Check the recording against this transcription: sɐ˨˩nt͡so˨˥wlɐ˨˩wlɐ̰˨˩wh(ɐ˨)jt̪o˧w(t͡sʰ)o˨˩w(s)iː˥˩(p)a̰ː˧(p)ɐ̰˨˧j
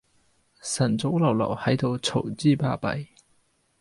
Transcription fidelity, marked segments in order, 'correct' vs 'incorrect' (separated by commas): incorrect, correct, incorrect, correct, correct